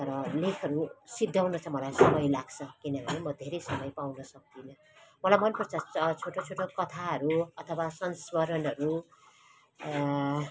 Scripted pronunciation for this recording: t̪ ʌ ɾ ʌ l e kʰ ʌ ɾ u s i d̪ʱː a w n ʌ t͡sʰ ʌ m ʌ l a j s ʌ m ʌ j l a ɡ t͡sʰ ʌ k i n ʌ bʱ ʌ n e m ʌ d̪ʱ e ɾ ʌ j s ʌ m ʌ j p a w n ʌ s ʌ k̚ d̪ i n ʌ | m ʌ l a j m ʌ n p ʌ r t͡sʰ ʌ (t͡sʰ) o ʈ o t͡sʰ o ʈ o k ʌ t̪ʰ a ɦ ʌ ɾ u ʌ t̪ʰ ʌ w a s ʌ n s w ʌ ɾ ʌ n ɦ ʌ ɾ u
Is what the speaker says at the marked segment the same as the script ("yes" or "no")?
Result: yes